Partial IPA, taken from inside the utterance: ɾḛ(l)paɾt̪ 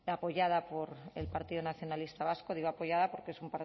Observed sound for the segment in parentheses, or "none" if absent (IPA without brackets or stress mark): l